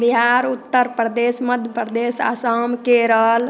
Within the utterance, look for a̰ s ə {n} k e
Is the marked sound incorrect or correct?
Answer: incorrect